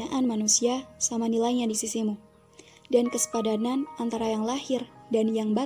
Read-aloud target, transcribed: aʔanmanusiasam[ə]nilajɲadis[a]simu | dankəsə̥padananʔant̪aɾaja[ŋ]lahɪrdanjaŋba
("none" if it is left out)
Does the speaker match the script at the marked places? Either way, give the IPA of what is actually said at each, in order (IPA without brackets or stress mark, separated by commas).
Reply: a, i, ŋ